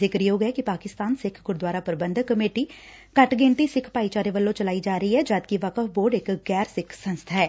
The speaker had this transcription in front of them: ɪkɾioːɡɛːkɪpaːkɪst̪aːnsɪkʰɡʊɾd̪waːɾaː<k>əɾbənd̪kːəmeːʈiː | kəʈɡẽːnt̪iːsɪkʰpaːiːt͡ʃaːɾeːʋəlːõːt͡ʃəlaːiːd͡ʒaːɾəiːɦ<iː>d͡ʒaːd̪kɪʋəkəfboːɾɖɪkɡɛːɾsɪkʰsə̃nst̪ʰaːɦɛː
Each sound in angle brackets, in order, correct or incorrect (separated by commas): incorrect, incorrect